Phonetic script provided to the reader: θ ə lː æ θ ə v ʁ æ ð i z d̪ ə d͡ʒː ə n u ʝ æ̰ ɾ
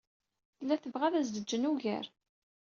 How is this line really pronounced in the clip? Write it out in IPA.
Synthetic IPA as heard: θ ə lː æ θ ə v ʁ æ ð æ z d̪ ə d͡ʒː ə n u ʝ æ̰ ɾ